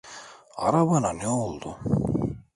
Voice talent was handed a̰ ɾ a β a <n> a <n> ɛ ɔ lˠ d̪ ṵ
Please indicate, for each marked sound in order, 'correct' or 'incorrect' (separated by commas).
correct, correct